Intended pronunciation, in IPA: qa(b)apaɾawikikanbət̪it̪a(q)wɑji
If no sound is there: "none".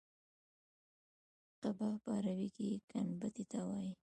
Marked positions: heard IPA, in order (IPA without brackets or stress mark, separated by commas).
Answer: b, none